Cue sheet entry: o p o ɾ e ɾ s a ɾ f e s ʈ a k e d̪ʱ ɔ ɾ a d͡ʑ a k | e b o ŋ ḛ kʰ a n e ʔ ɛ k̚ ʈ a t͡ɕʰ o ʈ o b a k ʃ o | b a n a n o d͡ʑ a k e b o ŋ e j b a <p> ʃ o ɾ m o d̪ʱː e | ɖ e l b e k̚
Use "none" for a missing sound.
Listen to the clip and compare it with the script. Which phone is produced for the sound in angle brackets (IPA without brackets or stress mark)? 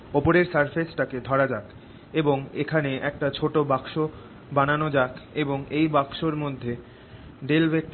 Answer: k